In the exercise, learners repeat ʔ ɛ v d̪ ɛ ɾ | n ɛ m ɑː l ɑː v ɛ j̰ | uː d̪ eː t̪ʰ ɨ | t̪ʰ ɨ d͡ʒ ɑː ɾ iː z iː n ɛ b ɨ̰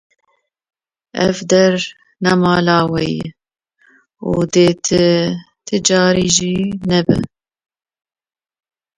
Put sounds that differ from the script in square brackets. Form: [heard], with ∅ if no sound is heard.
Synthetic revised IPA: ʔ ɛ v d̪ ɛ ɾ | n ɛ m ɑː l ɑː [w] ɛ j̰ | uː d̪ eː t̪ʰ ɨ | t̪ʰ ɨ d͡ʒ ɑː ɾ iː [ʒ] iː n ɛ b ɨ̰